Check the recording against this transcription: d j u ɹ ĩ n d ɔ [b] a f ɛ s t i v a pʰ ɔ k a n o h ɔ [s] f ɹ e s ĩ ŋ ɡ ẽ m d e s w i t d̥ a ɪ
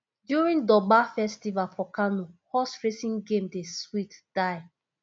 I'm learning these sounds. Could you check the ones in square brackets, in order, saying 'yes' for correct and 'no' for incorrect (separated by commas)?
yes, yes